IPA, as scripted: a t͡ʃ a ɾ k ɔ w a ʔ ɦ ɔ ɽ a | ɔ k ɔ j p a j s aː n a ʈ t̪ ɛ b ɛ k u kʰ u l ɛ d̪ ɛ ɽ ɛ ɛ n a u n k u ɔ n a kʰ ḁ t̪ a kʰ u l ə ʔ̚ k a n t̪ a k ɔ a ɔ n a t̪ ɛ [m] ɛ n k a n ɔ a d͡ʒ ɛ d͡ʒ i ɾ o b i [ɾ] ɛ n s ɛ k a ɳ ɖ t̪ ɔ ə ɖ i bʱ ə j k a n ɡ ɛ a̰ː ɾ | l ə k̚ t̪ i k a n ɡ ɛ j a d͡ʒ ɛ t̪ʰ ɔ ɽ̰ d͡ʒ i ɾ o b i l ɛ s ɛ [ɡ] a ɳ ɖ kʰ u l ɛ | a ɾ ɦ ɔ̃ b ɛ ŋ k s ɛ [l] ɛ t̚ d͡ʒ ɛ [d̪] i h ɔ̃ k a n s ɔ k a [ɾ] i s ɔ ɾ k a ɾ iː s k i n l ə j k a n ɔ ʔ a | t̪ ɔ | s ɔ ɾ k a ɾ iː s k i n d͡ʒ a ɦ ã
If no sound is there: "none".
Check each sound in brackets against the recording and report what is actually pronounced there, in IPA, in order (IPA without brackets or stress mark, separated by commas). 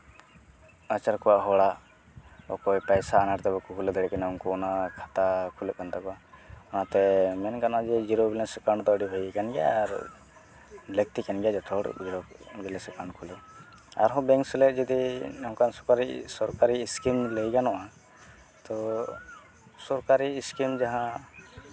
m, l, k, l, d̪, ɾ